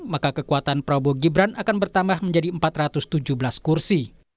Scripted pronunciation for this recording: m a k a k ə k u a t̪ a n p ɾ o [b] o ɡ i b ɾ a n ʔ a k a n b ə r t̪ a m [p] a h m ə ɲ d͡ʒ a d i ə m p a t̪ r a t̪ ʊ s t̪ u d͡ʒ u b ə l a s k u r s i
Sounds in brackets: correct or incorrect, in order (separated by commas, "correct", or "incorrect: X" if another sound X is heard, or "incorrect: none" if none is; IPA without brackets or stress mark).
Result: correct, incorrect: b